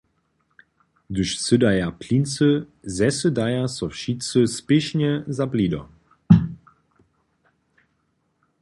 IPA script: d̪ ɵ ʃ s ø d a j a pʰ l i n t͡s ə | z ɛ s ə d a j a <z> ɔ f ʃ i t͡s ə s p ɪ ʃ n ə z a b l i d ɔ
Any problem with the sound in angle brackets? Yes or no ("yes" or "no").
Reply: yes